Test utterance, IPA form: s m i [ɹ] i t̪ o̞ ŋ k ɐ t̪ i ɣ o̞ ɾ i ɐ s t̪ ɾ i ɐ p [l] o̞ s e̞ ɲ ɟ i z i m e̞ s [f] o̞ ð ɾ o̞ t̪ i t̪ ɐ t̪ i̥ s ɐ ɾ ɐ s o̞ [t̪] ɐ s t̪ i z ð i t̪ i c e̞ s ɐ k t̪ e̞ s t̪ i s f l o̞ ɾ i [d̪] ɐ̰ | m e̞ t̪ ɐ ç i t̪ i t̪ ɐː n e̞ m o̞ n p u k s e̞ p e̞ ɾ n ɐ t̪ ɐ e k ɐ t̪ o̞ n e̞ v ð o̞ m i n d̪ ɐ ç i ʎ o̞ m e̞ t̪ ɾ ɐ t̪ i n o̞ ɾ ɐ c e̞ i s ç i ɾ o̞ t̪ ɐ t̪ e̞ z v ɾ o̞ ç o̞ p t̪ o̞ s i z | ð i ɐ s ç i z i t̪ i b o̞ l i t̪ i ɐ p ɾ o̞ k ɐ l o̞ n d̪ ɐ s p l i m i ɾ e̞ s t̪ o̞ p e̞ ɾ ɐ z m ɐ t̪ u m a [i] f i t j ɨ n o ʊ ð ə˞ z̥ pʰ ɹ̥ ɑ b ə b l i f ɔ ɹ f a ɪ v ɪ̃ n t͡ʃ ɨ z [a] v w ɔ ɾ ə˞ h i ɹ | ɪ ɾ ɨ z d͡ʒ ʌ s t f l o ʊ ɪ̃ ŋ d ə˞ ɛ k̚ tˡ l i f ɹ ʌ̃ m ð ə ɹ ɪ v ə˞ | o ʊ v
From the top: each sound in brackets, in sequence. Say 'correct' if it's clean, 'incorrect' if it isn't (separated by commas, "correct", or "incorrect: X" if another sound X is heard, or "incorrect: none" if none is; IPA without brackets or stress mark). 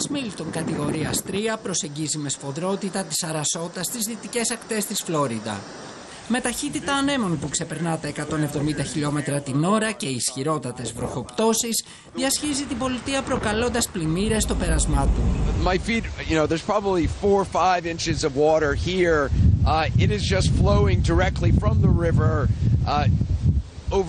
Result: incorrect: l, incorrect: ɾ, correct, correct, correct, incorrect: ɪ, incorrect: ʌ